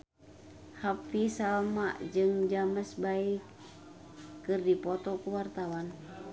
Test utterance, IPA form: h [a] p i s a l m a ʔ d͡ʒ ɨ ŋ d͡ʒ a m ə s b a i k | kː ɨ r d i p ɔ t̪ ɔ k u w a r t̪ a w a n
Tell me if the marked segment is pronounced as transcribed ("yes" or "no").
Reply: yes